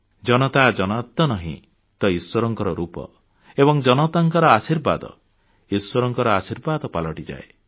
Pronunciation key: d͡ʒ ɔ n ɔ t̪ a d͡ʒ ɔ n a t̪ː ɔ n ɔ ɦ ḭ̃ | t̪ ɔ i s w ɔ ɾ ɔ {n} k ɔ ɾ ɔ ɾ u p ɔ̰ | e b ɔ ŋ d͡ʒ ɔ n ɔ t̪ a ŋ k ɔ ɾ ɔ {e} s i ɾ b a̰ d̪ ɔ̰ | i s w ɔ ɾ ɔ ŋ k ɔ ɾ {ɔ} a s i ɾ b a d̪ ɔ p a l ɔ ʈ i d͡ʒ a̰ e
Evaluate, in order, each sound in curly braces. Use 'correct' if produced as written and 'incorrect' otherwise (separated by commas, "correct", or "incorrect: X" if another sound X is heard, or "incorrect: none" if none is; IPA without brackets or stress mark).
incorrect: ŋ, incorrect: a, correct